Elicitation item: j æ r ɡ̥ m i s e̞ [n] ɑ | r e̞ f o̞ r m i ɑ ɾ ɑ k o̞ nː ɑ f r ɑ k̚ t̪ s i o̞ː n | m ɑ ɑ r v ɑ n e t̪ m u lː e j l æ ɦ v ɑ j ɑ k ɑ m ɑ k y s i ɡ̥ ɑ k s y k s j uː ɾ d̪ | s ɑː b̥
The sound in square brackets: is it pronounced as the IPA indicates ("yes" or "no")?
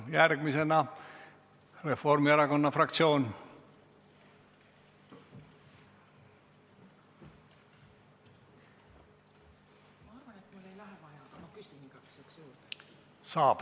yes